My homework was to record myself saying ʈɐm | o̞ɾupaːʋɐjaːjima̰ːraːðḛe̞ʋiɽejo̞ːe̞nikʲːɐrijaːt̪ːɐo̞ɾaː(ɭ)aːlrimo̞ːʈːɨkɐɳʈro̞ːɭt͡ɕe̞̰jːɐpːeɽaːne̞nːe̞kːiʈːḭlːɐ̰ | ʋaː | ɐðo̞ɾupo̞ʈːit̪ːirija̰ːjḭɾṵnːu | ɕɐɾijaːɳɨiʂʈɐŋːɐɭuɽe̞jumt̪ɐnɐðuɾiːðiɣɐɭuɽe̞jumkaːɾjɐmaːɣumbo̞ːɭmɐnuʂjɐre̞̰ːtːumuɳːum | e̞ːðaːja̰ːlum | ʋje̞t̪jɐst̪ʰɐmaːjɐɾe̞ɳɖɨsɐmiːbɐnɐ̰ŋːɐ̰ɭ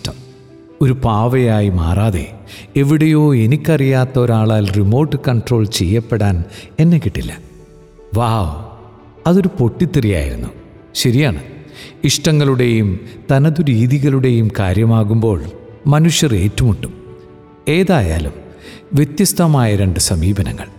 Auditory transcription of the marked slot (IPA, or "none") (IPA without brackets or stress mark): ɭ